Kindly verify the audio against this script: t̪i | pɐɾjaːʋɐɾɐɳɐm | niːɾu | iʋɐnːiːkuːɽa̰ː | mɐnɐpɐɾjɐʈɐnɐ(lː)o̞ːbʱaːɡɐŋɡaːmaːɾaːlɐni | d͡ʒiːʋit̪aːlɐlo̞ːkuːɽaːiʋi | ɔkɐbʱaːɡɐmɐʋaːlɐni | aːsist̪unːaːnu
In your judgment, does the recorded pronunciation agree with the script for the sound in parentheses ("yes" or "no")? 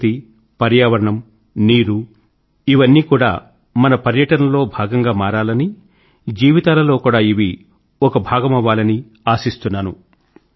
no